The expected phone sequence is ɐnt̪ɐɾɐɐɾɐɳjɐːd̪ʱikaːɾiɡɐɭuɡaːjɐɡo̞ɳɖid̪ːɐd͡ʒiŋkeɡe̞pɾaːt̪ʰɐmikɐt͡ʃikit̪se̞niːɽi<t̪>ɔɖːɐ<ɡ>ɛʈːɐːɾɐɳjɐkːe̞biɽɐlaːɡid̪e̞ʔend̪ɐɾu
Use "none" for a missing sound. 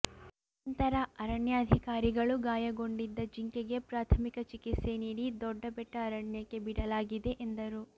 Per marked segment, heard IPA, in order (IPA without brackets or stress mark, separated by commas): d̪, b